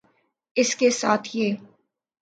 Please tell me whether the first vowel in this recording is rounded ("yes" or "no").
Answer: no